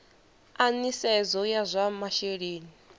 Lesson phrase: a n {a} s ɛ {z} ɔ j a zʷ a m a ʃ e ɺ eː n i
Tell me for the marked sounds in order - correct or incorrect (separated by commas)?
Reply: incorrect, correct